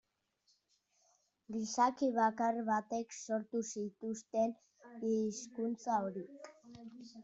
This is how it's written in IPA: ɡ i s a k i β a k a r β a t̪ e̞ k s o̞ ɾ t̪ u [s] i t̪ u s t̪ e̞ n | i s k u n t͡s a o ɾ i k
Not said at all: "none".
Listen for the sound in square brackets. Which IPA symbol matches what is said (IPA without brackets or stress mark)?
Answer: s